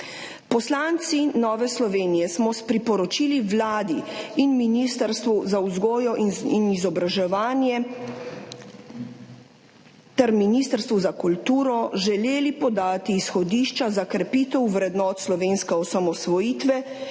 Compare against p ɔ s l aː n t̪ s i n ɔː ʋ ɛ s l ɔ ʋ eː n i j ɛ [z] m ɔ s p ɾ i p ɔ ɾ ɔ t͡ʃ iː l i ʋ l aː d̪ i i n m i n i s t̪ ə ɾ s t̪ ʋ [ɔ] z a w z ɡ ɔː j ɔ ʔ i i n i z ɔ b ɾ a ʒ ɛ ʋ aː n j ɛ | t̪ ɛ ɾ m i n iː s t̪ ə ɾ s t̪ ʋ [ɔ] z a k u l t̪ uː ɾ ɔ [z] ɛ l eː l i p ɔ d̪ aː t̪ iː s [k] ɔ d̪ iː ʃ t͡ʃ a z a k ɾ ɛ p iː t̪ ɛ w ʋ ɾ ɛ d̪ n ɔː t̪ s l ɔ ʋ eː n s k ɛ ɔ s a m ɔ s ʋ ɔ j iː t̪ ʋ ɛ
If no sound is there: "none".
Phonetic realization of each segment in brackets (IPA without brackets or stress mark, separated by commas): s, u, u, ʒ, x